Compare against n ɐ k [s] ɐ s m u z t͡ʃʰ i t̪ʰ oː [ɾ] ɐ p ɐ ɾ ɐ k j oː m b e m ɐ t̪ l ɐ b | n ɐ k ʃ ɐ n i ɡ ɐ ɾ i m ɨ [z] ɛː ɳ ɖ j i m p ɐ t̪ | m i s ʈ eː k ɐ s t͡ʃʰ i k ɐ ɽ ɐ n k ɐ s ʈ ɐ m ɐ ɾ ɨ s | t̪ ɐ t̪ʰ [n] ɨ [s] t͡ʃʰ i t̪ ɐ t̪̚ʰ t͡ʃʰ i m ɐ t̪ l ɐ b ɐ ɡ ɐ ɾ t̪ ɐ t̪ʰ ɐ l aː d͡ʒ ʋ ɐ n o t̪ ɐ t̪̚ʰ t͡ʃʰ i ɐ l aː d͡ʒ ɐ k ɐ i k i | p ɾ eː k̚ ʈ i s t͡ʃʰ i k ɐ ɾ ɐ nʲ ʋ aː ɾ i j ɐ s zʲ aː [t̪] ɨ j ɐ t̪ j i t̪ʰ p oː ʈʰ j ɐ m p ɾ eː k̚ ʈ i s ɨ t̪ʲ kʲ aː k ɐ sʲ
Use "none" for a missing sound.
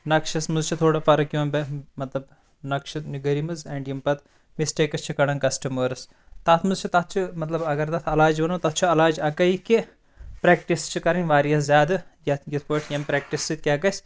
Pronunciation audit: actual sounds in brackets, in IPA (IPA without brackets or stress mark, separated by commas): ʃ, ɽ, z, m, z, d̪